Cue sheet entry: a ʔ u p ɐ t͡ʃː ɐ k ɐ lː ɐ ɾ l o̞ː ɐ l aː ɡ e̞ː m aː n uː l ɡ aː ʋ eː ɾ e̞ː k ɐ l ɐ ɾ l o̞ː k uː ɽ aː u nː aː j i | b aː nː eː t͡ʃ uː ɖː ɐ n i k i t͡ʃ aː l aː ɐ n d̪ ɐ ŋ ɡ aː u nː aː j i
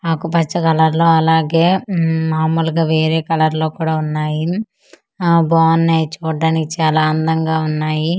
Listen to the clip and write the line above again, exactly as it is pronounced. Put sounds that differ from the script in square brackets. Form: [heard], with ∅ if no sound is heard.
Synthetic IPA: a [k] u p ɐ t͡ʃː ɐ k ɐ [l] ɐ ɾ l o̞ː ɐ l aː ɡ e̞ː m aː [m] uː l ɡ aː ʋ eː ɾ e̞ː k ɐ l ɐ ɾ l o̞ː k uː ɽ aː u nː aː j i | b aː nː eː t͡ʃ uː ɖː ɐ n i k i t͡ʃ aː l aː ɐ n d̪ ɐ ŋ ɡ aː u nː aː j i

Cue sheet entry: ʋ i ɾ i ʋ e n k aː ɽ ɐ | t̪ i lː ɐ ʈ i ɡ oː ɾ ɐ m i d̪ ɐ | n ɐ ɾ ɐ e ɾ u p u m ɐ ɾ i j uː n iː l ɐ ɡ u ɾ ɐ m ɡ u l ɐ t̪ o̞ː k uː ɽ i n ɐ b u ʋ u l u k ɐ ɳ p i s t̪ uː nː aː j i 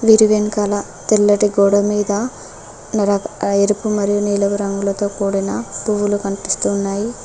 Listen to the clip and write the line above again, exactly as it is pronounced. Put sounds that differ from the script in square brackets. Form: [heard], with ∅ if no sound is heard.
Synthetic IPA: ʋ i ɾ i ʋ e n k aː [l] ɐ | t̪ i lː ɐ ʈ i ɡ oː [ɽ] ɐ m [iː] d̪ ɐ | n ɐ ɾ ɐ e ɾ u p u m ɐ ɾ i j [u] n iː l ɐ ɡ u ɾ ɐ [ŋ] ɡ u l ɐ t̪ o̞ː k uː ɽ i n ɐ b u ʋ u l u k ɐ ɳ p i s t̪ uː nː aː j i

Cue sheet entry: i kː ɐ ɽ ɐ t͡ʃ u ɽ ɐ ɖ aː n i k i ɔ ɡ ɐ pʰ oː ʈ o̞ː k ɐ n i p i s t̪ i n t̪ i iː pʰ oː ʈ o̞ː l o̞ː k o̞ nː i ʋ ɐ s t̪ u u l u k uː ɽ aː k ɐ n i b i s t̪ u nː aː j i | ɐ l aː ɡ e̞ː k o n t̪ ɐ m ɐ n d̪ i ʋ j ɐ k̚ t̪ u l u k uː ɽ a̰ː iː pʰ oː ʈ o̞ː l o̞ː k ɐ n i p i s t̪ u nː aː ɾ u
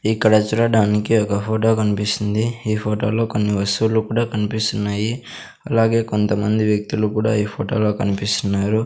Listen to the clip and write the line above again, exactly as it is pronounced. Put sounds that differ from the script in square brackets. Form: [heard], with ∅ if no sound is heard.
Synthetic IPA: i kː ɐ ɽ ɐ t͡ʃ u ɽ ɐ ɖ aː n i k i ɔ [k] ɐ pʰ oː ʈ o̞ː k ɐ n i p i s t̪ i n [d̪] i iː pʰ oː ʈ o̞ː l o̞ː k o̞ nː i ʋ ɐ s t̪ u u l u k uː ɽ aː k ɐ n i [p] i s t̪ u nː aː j i | ɐ l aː ɡ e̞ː k o n t̪ ɐ m ɐ n d̪ i ʋ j ɐ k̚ t̪ u l u k uː ɽ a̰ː iː pʰ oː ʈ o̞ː l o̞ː k ɐ n i p i s t̪ u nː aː ɾ u

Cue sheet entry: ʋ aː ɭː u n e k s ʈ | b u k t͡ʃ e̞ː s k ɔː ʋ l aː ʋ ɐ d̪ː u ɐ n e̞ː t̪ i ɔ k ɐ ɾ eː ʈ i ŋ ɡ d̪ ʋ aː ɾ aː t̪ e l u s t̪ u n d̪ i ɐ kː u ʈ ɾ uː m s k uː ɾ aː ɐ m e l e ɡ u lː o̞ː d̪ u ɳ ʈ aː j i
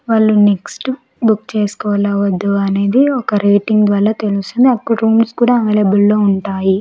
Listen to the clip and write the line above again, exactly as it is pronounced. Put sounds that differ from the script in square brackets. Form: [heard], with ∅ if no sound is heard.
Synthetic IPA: ʋ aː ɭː u n e k s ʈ | b u k t͡ʃ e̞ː s k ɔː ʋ l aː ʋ ɐ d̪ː u ɐ n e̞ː [d̪] i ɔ k ɐ ɾ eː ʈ i ŋ ɡ d̪ ʋ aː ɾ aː t̪ e l u s t̪ u n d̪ i ɐ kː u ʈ ɾ uː m s k uː [ɽ] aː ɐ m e l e [b] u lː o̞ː [∅] u ɳ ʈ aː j i

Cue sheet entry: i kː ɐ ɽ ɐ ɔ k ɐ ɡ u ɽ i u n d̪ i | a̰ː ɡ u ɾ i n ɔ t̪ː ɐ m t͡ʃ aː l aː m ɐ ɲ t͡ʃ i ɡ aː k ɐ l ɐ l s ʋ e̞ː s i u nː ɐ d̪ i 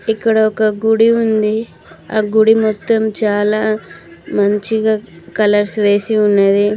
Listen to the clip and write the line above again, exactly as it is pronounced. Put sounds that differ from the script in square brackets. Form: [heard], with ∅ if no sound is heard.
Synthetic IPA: i kː ɐ ɽ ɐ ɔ k ɐ ɡ u ɽ i u n d̪ i | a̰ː ɡ u [ɽ] i [m] ɔ t̪ː ɐ m t͡ʃ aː l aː m ɐ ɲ t͡ʃ i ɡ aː k ɐ l ɐ [ɾ] s ʋ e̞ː s i u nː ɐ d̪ i

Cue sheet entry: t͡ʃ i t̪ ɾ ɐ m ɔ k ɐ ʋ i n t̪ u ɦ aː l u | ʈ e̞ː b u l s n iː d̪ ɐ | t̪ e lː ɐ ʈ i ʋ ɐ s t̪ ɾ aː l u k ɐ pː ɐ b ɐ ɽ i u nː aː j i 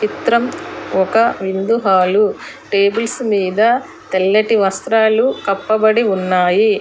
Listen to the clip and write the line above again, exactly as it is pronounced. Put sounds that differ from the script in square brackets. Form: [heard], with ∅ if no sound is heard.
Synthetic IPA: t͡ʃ i t̪ ɾ ɐ m ɔ k ɐ ʋ i n [d̪] u ɦ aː l u | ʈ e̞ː b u l s [m] iː d̪ ɐ | t̪ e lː ɐ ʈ i ʋ ɐ s t̪ ɾ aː l u k ɐ pː ɐ b ɐ ɽ i u nː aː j i

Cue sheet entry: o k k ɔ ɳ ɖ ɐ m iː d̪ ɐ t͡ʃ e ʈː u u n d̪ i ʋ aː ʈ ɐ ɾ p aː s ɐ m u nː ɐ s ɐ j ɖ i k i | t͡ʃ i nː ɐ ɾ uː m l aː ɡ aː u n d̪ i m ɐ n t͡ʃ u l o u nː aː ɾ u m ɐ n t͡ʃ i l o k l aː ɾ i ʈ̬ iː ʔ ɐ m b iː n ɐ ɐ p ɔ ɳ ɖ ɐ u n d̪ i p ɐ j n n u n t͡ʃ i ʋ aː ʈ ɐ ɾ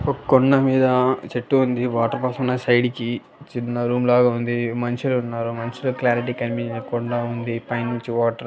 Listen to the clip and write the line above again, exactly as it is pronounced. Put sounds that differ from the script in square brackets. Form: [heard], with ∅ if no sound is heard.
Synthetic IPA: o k k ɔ ɳ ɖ ɐ m iː d̪ ɐ t͡ʃ e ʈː u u n d̪ i ʋ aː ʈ ɐ ɾ p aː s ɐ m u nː ɐ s ɐ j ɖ i k i | t͡ʃ i nː ɐ ɾ uː m l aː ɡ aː u n d̪ i m ɐ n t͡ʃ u l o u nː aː ɾ u m ɐ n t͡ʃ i l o k l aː ɾ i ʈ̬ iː [k] ɐ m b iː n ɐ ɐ [k] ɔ ɳ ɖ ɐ u n d̪ i p ɐ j n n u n t͡ʃ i ʋ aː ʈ ɐ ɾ

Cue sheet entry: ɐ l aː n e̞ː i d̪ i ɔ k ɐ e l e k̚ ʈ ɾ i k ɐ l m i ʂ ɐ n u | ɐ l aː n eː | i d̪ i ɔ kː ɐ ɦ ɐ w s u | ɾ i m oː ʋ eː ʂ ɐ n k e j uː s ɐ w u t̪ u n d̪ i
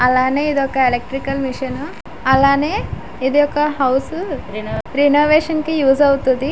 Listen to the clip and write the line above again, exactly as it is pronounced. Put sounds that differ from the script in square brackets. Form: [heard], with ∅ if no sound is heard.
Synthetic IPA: ɐ l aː n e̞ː i d̪ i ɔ k ɐ e l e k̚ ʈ ɾ i k ɐ l m i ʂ ɐ n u | ɐ l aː n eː | i d̪ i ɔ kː ɐ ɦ ɐ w s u | ɾ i [n] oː ʋ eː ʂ ɐ n k [i] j uː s ɐ w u t̪ u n d̪ i

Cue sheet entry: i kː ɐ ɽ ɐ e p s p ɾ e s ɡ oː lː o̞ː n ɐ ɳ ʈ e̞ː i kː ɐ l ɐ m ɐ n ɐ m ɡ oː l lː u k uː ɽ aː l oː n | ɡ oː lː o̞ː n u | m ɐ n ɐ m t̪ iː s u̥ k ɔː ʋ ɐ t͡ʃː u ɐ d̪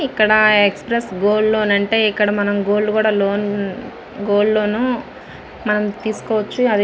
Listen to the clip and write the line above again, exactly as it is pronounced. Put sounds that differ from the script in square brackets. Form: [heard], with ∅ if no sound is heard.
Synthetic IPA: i kː ɐ ɽ ɐ e [k] s p ɾ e s ɡ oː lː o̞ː n ɐ ɳ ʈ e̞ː i kː ɐ [ɽ] ɐ m ɐ n ɐ m ɡ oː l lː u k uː ɽ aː l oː n | ɡ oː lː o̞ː n u | m ɐ n ɐ m t̪ iː s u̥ k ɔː ʋ ɐ t͡ʃː u ɐ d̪

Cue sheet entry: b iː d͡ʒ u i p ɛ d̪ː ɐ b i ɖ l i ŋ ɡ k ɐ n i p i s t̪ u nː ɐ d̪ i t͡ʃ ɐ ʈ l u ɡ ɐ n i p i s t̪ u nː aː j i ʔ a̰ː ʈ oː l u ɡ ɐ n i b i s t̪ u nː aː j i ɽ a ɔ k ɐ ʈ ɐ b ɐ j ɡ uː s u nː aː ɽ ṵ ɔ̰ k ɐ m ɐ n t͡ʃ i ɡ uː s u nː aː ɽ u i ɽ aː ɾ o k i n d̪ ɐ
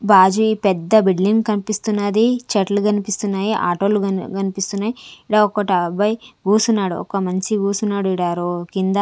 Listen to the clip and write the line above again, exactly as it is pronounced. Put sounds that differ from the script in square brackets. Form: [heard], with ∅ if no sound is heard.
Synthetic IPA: b [aː] d͡ʒ u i p ɛ d̪ː ɐ b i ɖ l i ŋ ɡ k ɐ n i p i s t̪ u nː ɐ d̪ i t͡ʃ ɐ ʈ l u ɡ ɐ n i p i s t̪ u nː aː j i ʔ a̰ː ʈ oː l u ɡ ɐ n i [p] i s t̪ u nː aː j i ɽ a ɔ k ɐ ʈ ɐ b ɐ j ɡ uː s u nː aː ɽ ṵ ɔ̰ k ɐ m ɐ n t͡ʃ i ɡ uː s u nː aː ɽ u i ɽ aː ɾ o k i n d̪ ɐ

